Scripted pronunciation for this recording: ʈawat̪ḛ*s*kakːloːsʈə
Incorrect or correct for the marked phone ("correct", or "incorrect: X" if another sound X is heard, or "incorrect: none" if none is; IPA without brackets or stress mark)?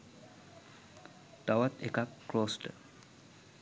incorrect: none